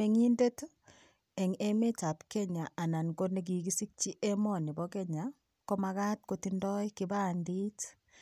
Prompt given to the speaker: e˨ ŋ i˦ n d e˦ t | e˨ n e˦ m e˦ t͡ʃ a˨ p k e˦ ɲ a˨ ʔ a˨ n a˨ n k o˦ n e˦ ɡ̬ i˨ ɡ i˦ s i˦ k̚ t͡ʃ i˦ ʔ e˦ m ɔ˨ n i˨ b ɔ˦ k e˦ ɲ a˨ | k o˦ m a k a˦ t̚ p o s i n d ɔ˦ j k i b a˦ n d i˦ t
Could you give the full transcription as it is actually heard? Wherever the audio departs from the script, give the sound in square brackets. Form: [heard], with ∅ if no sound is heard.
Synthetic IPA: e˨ ŋ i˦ n d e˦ t | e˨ [ŋ] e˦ m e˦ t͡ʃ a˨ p k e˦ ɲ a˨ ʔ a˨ n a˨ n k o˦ n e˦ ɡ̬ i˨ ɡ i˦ s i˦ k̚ t͡ʃ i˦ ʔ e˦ m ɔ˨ n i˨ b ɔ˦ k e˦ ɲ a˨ | k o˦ m a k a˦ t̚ [k] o [t] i n d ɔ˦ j k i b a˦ n d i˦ t